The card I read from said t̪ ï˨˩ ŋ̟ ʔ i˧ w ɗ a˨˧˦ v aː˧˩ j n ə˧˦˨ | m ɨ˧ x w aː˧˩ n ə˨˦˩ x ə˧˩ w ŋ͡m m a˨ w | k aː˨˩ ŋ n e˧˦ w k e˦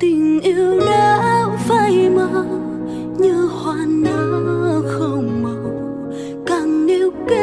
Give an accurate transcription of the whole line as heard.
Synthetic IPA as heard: t̪ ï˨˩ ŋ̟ ʔ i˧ w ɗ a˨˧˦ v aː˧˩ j m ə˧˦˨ | ɲ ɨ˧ h w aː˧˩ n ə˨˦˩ x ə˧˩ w ŋ͡m m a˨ w | k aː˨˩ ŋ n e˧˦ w k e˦